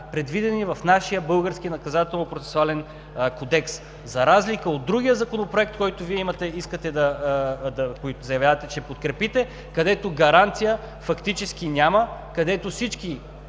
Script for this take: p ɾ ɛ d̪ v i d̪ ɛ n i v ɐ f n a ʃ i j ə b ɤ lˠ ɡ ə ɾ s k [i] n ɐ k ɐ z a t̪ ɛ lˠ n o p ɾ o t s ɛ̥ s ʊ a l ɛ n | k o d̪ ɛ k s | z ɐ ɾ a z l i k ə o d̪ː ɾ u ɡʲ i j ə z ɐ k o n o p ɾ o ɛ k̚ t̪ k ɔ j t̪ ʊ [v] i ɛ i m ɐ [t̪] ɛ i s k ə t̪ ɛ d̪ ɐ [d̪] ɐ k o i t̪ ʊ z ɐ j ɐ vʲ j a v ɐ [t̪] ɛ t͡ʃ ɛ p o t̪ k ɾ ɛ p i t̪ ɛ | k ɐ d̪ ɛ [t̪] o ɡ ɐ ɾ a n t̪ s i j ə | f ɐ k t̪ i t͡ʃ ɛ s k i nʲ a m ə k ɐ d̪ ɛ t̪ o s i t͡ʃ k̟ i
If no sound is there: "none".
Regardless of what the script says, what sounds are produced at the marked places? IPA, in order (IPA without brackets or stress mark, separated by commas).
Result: i, v, t̪, d̪, t̪, t̪